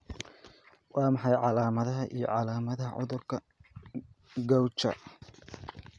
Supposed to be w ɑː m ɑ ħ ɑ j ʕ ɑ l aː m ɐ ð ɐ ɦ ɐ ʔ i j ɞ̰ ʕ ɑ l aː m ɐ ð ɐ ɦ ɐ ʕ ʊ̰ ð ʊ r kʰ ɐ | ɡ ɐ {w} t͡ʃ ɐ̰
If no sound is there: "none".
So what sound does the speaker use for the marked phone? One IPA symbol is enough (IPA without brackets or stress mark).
w